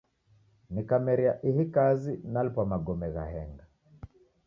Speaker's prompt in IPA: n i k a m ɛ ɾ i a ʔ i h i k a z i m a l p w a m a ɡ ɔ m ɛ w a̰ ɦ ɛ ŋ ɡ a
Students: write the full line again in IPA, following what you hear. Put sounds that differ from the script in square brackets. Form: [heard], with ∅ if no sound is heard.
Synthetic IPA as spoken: n i k a m ɛ ɾ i a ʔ i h i k a z i [n] a l p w a m a ɡ ɔ m ɛ [ɣ] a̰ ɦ ɛ ŋ ɡ a